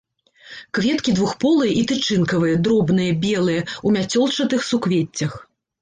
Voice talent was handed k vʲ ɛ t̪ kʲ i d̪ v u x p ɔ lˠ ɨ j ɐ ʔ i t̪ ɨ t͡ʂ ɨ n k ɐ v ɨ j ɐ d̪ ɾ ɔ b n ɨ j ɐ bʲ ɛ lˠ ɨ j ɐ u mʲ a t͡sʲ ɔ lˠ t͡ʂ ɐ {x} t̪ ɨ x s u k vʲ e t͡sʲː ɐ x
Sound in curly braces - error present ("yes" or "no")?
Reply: yes